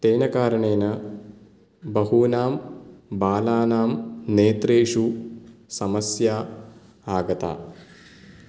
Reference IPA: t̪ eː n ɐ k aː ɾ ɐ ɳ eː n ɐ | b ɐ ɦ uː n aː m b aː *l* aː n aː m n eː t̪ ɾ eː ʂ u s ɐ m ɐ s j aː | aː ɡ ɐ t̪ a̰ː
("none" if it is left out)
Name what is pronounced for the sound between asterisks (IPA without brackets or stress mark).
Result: l